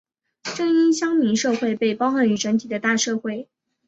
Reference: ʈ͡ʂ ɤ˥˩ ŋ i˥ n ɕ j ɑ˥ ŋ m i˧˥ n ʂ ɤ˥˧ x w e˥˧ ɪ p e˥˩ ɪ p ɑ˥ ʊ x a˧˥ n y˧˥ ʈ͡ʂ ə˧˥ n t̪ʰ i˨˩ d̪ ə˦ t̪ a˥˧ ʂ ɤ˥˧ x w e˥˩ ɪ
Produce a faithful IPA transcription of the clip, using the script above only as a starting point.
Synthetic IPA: ʈ͡ʂ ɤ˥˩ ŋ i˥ n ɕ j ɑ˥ ŋ m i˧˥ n ʂ ɤ˥˧ x w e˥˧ ɪ p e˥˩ ɪ p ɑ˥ ʊ x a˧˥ n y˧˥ ʈ͡ʂ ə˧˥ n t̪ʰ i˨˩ d̪ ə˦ t̪ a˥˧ ʂ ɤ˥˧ x w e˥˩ ɪ